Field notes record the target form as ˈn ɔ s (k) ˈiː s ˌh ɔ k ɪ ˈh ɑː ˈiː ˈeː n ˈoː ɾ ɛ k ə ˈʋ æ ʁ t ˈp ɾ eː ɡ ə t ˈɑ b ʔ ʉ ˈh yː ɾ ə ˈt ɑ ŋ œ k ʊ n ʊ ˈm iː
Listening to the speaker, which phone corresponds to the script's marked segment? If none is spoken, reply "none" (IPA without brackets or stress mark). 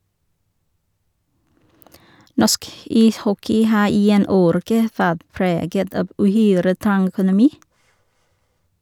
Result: k